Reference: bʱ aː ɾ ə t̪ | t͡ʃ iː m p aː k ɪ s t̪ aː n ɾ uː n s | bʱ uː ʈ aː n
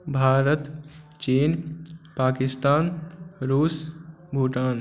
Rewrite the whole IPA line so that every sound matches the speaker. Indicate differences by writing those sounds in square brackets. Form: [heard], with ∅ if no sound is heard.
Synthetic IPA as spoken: bʱ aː ɾ ə t̪ | t͡ʃ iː [n] p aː k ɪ s t̪ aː n ɾ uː [∅] s | bʱ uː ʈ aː n